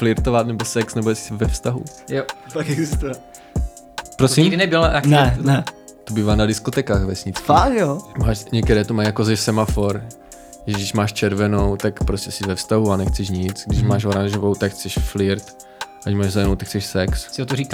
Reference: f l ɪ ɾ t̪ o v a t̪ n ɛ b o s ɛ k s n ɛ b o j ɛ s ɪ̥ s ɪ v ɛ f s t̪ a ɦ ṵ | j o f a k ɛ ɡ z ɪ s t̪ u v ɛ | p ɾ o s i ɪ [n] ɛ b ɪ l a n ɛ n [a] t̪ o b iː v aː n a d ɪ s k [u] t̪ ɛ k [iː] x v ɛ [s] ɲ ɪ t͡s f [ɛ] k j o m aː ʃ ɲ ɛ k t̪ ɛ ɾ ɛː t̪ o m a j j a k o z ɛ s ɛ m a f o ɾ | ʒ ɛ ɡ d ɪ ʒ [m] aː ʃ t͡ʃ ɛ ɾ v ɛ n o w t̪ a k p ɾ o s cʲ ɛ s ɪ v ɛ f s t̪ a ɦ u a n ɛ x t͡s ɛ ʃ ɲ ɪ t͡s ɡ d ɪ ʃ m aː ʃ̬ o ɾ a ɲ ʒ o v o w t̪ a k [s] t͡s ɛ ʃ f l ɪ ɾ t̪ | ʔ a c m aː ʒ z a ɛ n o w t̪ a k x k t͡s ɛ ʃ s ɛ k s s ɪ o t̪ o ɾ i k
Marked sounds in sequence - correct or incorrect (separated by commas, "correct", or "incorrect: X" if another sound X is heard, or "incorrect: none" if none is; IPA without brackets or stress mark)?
correct, incorrect: ɛ, incorrect: o, incorrect: aː, correct, incorrect: a, correct, incorrect: x